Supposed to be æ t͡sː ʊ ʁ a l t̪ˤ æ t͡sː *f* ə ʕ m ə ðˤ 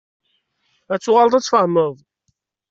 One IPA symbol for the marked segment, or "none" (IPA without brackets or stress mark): f